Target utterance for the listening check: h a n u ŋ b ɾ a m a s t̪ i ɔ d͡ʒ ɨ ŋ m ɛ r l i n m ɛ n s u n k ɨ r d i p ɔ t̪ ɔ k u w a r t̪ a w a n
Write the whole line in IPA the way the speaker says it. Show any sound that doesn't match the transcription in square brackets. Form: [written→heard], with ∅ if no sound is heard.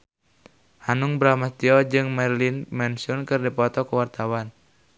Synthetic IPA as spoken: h a n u ŋ b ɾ a m a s t̪ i ɔ d͡ʒ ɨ ŋ m ɛ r l i n m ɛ n s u n k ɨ r d i p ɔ t̪ ɔ k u w a r t̪ a w a n